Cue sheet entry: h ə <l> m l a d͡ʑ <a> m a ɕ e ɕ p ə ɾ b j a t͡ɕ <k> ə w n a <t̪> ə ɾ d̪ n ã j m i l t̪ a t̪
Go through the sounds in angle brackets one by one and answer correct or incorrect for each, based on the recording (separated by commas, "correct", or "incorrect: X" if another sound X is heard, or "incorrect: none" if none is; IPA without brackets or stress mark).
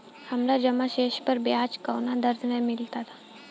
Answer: incorrect: none, incorrect: ə, correct, incorrect: d̪